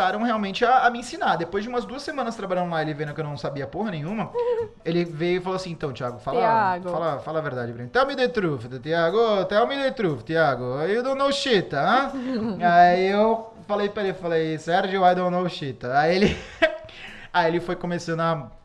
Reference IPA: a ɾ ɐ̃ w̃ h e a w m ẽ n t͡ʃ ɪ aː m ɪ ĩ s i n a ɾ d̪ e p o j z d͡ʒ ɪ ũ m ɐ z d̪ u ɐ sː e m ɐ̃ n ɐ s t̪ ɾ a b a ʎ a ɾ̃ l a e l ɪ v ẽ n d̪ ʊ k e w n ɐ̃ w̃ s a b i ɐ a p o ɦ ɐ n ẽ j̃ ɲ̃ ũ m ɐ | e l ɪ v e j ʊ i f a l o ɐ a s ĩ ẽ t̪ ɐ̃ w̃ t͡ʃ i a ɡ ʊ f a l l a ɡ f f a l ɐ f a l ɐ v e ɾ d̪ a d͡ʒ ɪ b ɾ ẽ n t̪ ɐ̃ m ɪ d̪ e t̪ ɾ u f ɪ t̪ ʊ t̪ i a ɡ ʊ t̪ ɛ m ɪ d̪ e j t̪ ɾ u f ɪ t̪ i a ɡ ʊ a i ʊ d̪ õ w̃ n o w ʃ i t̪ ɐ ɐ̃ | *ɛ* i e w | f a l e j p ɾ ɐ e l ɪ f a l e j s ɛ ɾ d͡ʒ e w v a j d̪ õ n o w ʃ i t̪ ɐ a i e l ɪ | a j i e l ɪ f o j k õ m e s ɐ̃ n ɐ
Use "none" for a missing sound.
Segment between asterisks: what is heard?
a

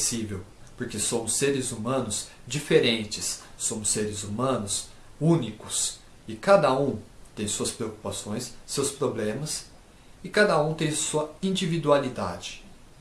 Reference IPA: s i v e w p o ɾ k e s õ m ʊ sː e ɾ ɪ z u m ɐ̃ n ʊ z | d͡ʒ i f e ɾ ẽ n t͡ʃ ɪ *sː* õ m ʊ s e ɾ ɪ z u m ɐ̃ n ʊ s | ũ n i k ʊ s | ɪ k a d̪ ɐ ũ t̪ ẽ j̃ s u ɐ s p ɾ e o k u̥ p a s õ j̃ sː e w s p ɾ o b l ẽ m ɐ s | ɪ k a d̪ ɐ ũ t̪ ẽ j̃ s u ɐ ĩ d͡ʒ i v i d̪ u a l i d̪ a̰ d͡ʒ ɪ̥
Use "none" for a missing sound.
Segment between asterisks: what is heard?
sː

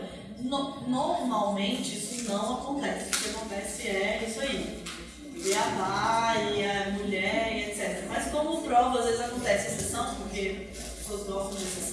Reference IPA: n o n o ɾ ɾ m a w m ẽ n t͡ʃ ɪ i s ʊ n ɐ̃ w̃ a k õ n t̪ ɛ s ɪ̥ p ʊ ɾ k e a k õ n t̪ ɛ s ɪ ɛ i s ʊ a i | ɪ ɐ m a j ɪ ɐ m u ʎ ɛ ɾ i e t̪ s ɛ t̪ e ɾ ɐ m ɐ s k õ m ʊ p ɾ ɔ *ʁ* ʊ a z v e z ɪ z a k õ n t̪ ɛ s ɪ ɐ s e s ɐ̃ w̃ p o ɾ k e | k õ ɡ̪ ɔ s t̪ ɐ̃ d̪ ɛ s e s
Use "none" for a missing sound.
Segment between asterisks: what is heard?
v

